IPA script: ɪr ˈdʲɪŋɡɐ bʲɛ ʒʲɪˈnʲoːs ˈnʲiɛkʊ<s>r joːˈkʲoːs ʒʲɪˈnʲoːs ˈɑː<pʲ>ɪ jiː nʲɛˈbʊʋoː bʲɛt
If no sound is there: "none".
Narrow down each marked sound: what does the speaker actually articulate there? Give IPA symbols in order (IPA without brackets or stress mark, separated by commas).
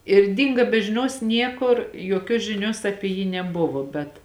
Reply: none, pʲ